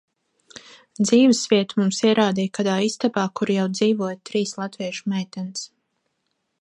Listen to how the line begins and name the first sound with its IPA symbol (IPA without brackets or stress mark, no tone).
d̪